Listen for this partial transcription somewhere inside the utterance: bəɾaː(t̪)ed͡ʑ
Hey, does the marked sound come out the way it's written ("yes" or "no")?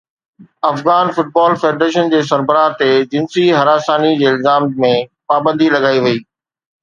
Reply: yes